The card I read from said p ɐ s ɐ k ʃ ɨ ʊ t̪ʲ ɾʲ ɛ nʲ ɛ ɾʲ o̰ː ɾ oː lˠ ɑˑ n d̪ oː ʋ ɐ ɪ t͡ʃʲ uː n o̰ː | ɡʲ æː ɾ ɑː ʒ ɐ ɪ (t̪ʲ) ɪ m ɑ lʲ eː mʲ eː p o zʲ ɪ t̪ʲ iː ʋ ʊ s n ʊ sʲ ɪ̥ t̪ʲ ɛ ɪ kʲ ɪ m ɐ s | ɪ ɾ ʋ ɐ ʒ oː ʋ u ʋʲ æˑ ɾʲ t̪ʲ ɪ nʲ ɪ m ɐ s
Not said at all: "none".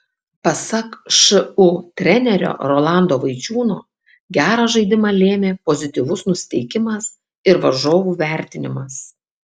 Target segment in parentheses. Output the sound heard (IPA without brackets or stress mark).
d̪ʲ